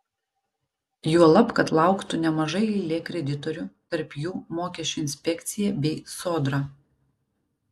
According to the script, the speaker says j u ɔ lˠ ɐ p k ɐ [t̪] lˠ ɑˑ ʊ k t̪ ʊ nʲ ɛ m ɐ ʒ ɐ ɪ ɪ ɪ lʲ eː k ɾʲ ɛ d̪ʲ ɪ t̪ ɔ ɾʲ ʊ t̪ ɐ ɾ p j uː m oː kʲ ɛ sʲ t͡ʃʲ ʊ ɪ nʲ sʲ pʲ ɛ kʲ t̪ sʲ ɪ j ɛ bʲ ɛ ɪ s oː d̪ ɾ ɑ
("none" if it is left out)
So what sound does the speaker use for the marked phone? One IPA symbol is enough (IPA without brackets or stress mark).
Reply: t̪